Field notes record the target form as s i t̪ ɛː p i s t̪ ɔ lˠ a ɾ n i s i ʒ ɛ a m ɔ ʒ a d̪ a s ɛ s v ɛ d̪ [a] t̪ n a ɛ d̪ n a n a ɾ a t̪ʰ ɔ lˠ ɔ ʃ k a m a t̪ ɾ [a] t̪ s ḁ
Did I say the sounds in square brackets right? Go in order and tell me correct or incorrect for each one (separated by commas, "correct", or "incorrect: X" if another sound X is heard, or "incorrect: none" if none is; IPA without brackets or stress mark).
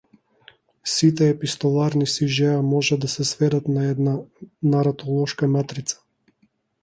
correct, incorrect: i